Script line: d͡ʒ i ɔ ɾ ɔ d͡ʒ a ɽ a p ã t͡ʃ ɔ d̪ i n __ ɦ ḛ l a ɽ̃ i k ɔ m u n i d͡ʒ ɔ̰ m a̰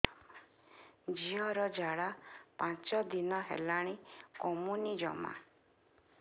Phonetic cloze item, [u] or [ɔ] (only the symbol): ɔ